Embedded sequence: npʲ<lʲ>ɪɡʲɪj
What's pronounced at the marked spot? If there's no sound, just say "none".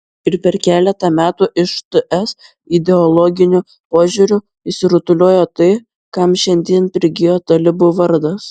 ɾʲ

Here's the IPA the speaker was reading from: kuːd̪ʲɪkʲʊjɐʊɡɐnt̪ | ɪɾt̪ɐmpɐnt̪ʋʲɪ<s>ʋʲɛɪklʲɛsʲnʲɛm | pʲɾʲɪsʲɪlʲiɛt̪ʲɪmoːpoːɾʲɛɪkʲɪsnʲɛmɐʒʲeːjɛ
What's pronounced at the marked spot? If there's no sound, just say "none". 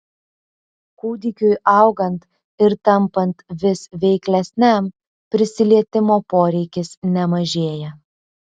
s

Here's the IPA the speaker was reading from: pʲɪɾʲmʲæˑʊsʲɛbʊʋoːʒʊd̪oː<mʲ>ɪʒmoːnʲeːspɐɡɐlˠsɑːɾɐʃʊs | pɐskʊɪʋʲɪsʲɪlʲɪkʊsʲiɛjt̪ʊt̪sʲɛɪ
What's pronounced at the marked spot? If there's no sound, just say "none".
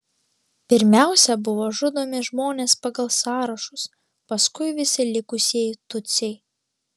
mʲ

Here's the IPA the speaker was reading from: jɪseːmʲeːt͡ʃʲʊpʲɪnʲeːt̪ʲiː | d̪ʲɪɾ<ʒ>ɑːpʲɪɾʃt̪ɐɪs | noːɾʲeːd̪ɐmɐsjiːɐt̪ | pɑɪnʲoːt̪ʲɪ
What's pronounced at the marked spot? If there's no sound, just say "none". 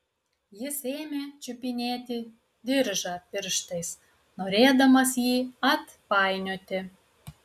ʒ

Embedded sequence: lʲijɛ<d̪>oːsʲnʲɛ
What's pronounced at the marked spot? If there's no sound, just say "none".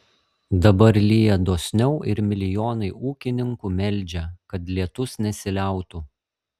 d̪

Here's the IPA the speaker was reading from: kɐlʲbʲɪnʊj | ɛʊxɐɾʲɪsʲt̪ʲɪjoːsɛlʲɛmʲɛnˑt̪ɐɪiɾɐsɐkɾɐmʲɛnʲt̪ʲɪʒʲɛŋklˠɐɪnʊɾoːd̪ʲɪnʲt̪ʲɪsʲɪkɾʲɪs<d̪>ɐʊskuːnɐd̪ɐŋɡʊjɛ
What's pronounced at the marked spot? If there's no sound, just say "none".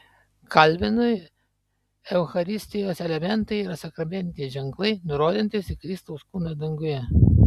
t̪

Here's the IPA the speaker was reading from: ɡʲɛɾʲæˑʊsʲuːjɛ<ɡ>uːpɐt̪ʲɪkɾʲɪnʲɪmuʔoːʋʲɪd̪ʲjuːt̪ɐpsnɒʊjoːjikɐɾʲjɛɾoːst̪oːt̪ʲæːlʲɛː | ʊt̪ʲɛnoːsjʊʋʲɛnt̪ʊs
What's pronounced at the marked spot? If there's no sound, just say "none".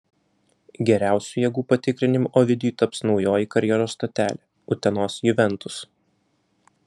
ɡ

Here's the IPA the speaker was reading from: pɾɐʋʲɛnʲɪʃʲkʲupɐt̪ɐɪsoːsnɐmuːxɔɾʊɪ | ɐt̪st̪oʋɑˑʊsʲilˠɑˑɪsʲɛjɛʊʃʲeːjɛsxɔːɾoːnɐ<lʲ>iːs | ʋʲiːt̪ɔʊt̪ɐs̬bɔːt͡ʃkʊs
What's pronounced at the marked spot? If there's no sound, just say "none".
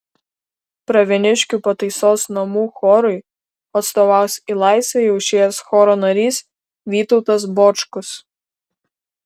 ɾʲ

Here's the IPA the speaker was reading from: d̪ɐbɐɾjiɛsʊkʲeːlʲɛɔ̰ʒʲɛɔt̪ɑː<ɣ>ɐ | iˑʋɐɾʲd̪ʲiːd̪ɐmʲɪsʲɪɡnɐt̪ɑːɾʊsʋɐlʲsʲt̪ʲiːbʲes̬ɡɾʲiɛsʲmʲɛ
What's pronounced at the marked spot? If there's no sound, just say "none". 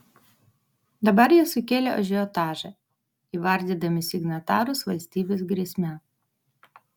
ʒ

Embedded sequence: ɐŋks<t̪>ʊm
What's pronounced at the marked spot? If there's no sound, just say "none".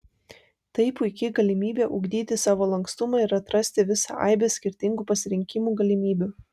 t̪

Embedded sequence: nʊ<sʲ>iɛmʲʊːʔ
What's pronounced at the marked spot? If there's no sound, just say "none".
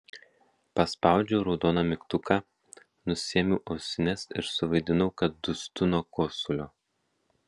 sʲ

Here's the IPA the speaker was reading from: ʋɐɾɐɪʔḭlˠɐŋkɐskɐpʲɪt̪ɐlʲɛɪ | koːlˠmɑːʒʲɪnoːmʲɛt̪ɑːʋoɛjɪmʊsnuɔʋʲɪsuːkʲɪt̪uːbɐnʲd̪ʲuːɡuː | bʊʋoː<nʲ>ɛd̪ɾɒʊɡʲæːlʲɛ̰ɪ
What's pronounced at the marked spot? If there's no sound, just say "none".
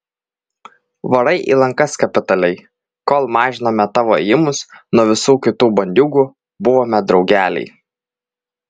mʲ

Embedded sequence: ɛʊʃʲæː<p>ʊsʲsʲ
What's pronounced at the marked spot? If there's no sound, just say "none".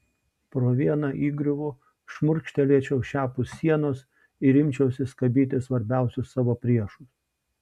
p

